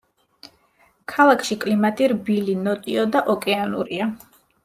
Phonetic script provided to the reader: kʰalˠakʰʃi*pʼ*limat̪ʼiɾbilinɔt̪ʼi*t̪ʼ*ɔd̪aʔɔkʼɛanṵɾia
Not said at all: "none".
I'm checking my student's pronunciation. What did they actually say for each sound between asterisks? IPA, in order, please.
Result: kʼ, none

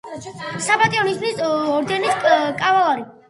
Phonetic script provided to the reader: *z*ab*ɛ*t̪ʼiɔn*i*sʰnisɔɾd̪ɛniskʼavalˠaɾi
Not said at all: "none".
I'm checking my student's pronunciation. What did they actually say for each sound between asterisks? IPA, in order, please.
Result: s, a, i

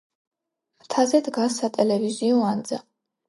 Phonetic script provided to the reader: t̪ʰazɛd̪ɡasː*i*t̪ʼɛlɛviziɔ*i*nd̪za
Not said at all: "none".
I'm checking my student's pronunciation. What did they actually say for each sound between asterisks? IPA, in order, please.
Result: a, a

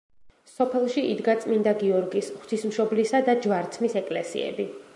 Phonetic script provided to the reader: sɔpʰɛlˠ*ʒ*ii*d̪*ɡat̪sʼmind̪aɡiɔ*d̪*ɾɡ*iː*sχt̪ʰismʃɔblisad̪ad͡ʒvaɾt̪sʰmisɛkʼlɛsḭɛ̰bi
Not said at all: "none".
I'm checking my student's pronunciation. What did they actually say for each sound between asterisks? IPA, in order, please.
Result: ʃ, d̪, none, i

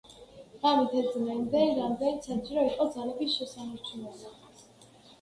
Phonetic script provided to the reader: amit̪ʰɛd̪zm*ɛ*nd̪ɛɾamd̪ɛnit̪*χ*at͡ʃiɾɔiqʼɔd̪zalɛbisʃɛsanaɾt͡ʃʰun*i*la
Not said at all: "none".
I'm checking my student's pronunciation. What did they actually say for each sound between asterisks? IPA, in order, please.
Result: ɛ, s, ɛ

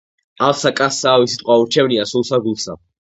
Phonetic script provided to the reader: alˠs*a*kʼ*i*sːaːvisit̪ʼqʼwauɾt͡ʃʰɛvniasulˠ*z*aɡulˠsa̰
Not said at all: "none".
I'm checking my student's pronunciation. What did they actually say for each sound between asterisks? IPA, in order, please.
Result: a, a, s

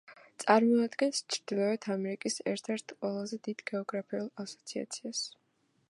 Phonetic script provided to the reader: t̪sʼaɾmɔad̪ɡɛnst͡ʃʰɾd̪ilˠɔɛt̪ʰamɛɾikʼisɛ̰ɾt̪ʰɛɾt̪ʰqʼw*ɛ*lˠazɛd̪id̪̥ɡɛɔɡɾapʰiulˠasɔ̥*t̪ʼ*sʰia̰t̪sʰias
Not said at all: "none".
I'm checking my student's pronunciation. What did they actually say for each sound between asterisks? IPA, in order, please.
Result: ɛ, t̪

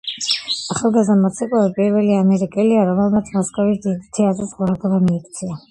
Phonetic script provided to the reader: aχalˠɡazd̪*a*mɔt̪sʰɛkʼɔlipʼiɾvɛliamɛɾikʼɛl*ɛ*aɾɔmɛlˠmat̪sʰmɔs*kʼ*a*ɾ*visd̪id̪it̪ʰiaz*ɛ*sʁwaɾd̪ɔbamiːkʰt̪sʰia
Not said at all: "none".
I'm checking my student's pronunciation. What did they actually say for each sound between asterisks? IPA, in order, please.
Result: a, i, kʼ, none, ɛ

